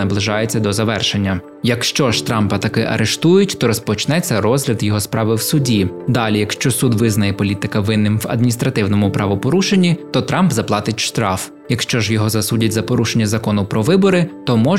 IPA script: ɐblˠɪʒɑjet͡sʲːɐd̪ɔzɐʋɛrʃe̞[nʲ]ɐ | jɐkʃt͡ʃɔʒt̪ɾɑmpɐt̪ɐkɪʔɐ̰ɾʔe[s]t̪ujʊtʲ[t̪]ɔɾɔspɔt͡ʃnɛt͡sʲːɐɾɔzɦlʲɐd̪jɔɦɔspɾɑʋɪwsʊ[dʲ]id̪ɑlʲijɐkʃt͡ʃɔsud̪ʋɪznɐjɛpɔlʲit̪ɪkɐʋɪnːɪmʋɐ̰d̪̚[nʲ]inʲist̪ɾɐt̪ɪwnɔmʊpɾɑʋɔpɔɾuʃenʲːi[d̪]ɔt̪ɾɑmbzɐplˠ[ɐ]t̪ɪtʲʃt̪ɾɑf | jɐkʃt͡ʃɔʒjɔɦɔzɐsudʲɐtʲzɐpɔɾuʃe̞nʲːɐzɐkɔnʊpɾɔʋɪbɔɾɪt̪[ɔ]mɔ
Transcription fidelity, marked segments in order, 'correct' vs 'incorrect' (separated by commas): incorrect, incorrect, correct, correct, incorrect, incorrect, incorrect, correct